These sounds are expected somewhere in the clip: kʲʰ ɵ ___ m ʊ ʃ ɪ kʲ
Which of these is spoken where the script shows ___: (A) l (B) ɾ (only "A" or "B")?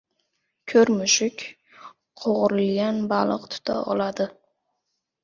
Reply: B